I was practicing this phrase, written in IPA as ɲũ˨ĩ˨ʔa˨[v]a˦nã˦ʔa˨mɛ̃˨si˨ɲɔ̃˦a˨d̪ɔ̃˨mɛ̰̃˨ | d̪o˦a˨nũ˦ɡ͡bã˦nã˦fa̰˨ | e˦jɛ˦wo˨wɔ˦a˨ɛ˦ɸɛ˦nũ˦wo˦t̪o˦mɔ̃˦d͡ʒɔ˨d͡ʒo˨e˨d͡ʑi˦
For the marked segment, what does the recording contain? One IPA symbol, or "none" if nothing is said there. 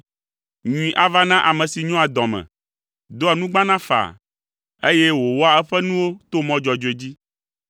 v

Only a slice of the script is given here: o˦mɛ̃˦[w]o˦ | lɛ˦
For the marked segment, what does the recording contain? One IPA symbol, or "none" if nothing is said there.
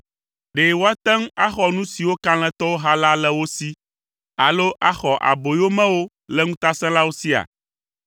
w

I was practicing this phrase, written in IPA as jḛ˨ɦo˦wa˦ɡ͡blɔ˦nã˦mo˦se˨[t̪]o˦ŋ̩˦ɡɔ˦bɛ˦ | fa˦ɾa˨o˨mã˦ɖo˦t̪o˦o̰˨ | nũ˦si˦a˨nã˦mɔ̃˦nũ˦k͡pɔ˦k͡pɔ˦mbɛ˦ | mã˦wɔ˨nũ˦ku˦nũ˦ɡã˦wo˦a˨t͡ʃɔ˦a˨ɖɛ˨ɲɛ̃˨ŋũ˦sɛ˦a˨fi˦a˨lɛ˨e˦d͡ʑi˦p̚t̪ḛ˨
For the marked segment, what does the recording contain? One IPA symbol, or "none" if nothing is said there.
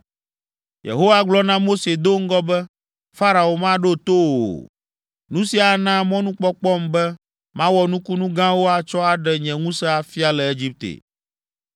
d̪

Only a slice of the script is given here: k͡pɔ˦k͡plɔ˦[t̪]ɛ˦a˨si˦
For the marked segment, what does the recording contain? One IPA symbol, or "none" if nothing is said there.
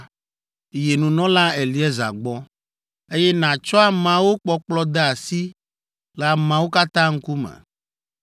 d̪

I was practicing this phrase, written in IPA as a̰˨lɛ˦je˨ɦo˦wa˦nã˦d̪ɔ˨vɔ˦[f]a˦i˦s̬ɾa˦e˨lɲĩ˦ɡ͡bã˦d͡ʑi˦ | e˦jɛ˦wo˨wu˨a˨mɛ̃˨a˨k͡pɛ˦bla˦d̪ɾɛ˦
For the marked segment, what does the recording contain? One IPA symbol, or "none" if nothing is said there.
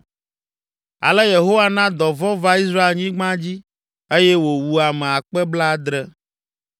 v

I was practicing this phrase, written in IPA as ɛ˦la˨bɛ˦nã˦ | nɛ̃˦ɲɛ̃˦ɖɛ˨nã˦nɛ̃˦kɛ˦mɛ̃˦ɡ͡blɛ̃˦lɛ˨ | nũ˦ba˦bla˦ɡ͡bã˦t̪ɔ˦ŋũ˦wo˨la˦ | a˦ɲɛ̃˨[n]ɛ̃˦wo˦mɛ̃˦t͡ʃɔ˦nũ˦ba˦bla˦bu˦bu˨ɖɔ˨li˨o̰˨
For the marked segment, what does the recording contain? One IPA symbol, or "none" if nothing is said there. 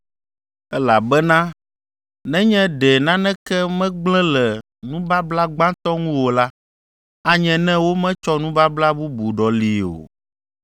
n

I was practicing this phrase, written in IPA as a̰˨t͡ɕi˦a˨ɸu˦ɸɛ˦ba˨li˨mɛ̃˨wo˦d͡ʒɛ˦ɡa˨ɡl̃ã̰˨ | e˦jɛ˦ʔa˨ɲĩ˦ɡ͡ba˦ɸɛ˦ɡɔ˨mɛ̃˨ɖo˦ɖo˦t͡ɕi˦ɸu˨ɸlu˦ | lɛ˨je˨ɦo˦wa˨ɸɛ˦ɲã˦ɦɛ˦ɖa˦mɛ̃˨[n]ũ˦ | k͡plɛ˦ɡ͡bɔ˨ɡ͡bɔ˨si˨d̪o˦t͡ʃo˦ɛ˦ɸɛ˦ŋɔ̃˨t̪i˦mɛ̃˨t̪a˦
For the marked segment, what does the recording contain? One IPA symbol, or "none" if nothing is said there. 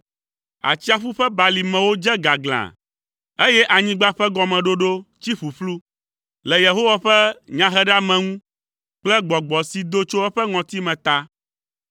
ŋ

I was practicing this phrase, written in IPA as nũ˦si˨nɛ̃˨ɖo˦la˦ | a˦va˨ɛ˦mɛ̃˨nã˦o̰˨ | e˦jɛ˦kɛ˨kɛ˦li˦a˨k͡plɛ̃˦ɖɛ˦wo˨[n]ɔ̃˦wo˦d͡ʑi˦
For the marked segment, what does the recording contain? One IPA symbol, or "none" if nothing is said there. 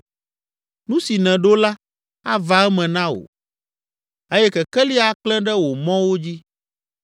m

